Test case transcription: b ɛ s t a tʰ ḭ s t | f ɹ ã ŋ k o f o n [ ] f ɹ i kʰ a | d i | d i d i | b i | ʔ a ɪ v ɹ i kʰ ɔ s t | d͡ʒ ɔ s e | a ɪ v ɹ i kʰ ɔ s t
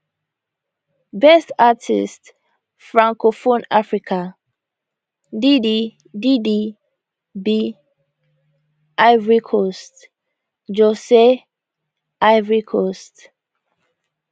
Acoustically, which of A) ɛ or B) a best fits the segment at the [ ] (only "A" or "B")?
B